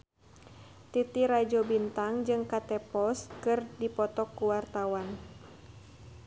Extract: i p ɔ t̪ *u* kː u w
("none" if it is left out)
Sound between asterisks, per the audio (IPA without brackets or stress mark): ɔ